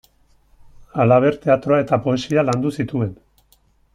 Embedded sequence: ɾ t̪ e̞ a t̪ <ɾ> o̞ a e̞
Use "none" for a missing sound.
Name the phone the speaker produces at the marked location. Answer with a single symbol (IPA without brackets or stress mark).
ɾ